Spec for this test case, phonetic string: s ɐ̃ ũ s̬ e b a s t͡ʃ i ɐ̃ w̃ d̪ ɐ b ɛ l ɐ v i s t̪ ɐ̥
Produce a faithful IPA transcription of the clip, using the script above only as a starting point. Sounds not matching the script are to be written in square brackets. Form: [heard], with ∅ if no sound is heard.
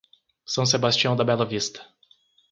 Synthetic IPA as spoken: s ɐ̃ [w̃] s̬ e b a s t͡ʃ i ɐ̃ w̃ d̪ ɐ b ɛ l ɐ v i s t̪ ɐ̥